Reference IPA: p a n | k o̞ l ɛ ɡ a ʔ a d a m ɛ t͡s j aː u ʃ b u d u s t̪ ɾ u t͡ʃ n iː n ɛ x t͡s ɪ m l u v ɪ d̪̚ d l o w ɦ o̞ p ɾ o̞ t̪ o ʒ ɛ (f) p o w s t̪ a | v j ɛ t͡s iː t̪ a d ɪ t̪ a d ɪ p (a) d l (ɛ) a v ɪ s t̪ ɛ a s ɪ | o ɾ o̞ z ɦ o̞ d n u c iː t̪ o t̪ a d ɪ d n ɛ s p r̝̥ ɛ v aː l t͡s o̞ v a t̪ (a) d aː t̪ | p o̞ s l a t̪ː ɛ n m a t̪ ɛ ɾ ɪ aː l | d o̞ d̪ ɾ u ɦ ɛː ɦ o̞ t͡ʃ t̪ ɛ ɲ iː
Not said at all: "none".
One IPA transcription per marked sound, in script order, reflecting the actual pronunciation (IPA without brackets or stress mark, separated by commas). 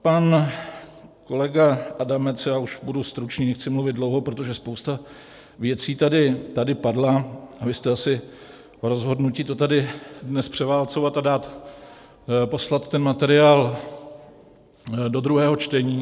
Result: s, a, a, a